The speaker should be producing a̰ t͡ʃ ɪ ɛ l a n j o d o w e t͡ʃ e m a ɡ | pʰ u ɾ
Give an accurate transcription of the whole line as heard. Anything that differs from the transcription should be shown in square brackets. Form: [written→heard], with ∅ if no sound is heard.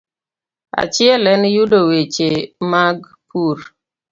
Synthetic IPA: a̰ t͡ʃ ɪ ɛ l [a→ɛ] n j [o→u] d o w e t͡ʃ e m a ɡ | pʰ u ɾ